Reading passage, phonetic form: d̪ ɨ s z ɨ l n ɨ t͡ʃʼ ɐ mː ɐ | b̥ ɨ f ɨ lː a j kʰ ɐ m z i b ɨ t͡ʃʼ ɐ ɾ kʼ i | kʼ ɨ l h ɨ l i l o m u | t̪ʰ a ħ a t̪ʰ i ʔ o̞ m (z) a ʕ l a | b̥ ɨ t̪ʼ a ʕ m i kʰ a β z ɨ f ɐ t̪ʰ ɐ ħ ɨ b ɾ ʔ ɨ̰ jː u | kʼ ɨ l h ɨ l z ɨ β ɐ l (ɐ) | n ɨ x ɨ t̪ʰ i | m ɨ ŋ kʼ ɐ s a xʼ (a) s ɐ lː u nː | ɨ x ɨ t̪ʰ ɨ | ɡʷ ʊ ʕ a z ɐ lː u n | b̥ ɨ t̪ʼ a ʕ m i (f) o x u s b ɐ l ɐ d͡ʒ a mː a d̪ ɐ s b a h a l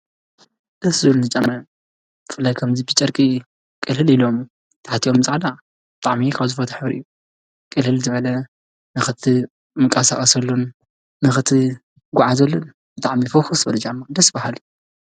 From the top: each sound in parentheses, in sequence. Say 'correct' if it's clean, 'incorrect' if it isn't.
correct, correct, incorrect, correct

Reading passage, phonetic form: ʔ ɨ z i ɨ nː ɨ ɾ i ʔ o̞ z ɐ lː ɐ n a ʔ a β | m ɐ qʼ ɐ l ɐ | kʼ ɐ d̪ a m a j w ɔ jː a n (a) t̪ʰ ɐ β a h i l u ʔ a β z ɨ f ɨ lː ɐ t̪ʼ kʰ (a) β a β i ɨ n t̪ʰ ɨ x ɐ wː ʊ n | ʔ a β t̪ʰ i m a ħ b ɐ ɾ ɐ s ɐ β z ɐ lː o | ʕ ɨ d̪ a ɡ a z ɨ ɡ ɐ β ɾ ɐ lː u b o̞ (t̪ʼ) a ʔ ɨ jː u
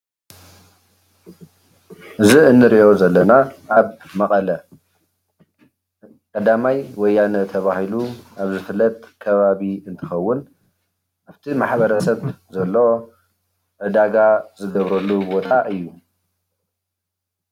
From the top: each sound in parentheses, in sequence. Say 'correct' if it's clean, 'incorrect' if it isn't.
incorrect, incorrect, correct

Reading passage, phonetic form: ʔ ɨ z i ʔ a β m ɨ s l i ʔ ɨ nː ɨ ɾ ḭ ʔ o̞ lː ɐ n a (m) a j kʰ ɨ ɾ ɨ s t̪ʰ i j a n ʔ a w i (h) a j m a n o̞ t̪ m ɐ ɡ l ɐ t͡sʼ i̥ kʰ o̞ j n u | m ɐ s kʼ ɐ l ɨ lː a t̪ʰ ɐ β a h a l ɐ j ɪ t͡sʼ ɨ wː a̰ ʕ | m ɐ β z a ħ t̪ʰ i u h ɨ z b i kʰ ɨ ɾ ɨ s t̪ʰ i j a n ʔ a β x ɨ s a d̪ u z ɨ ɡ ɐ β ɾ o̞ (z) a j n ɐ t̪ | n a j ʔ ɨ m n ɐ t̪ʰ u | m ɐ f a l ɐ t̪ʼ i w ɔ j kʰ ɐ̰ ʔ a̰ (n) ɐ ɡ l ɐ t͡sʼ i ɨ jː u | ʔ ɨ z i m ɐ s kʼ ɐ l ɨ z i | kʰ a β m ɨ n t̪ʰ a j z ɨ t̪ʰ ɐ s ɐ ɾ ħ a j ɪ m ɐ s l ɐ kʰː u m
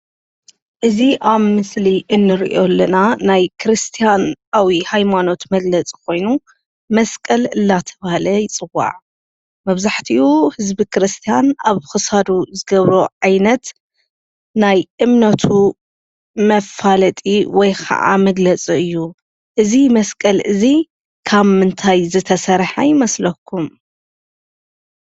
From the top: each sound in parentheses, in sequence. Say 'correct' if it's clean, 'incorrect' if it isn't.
incorrect, correct, incorrect, incorrect

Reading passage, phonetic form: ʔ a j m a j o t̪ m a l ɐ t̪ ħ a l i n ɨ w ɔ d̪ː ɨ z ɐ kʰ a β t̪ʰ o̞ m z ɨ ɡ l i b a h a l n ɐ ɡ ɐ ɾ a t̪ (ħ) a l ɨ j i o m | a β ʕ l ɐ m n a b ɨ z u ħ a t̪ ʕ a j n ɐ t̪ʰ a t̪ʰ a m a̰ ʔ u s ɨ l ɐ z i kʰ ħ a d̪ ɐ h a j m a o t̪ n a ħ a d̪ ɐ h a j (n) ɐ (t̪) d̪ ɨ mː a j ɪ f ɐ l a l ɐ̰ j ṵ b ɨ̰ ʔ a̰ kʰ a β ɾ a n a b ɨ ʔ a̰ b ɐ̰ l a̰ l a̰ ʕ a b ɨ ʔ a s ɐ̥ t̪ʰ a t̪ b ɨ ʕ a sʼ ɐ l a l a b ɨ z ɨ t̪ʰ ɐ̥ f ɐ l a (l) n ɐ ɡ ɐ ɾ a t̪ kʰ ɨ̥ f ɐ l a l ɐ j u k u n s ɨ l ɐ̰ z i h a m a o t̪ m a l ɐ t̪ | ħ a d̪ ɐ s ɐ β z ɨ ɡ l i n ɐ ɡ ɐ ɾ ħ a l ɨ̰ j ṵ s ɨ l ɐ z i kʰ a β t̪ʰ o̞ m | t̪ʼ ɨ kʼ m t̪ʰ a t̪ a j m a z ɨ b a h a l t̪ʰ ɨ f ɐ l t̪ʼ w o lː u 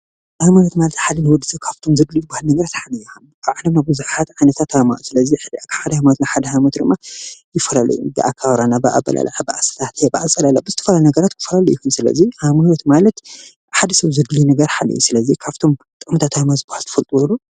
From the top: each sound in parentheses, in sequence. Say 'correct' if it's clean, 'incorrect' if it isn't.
correct, incorrect, correct, correct

